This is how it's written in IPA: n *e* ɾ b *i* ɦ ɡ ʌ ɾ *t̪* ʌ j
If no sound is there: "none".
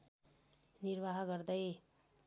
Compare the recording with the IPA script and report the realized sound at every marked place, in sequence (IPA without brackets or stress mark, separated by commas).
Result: i, a, d̪